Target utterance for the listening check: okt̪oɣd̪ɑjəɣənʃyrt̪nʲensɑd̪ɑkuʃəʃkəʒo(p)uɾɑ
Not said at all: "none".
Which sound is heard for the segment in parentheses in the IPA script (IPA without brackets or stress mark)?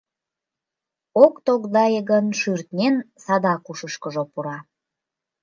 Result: p